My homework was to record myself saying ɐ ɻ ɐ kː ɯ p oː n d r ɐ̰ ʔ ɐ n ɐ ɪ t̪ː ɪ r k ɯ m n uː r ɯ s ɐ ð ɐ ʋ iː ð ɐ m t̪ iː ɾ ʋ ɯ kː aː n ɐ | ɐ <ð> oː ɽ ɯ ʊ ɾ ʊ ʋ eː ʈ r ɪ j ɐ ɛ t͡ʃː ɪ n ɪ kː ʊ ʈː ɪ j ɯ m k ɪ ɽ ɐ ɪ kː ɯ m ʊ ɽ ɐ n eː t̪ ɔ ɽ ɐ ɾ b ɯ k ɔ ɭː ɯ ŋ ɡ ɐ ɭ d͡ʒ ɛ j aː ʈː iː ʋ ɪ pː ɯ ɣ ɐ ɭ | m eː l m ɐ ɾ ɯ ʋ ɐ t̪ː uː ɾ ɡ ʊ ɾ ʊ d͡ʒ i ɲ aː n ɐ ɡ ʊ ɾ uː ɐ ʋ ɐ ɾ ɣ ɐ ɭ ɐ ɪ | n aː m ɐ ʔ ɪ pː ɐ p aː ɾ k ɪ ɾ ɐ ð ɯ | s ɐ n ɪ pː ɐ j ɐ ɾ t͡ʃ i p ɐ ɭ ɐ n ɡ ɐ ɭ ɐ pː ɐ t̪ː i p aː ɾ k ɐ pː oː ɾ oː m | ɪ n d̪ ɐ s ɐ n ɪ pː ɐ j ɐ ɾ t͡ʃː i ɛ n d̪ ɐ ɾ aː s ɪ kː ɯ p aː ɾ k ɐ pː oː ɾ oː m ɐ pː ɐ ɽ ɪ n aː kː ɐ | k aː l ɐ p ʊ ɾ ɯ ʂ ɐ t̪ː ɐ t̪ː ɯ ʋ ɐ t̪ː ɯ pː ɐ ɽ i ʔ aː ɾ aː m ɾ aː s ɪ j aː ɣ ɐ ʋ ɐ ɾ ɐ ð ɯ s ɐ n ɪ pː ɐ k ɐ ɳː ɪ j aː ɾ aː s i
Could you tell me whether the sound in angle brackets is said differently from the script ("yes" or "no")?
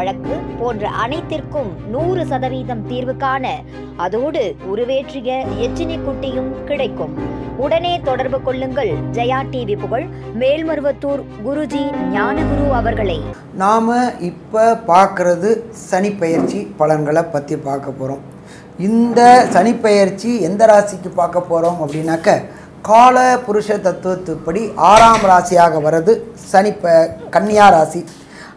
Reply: no